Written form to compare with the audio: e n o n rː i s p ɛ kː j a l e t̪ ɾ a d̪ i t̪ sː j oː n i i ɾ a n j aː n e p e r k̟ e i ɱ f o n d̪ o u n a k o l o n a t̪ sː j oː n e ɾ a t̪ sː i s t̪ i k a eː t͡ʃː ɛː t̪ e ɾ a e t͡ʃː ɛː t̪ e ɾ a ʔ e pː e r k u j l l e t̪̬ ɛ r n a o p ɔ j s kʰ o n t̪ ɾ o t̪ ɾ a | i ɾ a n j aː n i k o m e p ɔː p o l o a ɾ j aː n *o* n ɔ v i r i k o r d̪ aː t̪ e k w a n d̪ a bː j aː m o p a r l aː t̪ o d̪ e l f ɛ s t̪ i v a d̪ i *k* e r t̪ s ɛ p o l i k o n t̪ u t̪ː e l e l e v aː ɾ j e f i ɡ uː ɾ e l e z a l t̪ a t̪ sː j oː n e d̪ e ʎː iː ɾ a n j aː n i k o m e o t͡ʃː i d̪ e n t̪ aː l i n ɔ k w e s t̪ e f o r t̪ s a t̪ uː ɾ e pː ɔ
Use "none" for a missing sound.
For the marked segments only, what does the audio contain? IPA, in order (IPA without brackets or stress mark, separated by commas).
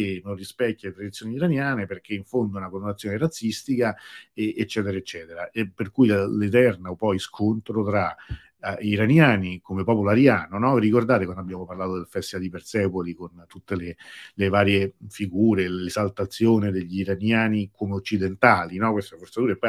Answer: o, p